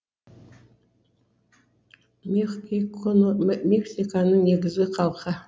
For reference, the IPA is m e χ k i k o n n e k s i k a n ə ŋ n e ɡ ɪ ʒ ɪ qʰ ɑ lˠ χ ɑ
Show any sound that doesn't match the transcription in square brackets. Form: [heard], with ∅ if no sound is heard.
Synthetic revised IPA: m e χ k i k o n [m] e k s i k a n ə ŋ n e ɡ ɪ [z] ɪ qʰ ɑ lˠ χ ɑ